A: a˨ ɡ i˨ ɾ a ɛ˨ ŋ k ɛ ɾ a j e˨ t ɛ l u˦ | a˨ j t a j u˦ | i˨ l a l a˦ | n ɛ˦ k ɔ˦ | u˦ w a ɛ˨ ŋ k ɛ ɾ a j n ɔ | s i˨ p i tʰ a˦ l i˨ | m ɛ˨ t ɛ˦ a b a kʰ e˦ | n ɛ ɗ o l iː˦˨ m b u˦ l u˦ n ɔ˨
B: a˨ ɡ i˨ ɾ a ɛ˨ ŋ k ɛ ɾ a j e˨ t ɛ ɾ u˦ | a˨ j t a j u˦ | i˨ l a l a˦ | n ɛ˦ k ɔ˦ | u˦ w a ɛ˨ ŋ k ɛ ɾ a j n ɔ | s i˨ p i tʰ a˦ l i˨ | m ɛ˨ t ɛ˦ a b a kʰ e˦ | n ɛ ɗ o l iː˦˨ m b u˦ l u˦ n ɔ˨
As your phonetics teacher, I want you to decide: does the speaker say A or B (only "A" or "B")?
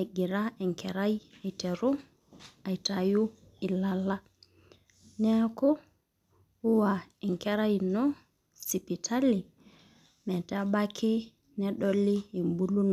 B